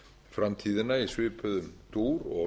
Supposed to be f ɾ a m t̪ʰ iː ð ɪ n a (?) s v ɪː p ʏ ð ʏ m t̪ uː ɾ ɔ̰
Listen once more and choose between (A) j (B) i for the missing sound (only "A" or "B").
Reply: B